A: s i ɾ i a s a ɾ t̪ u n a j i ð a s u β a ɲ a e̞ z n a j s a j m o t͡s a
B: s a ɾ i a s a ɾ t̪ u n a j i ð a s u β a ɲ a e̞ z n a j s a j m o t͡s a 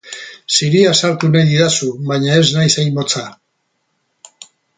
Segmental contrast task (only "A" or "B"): A